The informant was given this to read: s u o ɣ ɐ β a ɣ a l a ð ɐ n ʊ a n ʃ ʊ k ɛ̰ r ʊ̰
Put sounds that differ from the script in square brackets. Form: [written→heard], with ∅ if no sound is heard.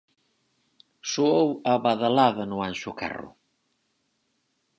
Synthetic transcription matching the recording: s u o [ɣ→w] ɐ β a [ɣ→ð] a l a ð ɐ n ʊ a n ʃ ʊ k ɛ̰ r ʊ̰